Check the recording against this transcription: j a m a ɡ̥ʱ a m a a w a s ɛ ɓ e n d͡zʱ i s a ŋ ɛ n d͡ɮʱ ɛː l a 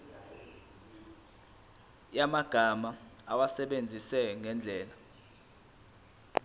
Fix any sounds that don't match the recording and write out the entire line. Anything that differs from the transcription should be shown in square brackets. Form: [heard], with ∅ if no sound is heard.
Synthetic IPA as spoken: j a m a ɡ̥ʱ a m a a w a s ɛ ɓ e n d͡zʱ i s [ɛ] ŋ ɛ n d͡ɮʱ ɛː l a